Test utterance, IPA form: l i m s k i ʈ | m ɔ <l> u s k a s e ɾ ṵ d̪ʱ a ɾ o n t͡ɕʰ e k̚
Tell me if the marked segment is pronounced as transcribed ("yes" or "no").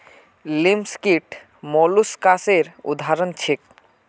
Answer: yes